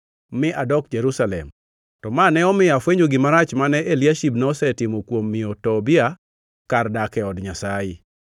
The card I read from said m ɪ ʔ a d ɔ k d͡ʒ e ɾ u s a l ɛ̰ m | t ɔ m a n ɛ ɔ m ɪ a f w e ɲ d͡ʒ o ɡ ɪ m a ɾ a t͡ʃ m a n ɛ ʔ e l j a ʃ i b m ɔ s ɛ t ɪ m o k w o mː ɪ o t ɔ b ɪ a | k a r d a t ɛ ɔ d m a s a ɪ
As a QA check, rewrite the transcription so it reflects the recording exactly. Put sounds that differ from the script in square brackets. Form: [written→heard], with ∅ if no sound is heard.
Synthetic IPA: m ɪ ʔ a d ɔ k d͡ʒ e ɾ u s a l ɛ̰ m | t ɔ m a n ɛ ɔ m ɪ a f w e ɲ d͡ʒ o ɡ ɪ m a ɾ a t͡ʃ m a n ɛ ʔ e l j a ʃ i b [m→n] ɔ s ɛ t ɪ m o k w o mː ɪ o t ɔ b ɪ a | k a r d a [t→k] ɛ ɔ d [m→ɲ] a s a ɪ